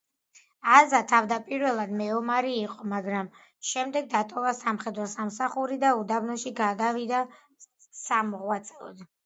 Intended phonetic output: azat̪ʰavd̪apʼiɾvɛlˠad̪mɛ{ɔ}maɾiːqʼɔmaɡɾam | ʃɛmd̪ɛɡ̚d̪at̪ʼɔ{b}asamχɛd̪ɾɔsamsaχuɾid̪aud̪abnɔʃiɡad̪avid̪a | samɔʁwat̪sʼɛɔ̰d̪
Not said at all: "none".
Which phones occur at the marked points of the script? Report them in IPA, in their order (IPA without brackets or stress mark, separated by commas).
ɔ, v